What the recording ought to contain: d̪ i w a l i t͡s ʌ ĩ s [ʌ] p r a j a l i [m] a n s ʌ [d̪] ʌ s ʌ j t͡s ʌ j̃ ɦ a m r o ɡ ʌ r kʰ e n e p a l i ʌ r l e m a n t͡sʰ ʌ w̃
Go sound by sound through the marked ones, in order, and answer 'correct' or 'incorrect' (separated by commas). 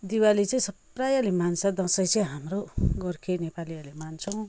correct, correct, correct